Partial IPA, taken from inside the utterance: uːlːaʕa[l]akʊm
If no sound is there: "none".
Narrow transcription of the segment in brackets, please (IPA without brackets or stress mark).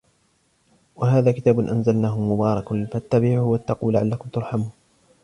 lː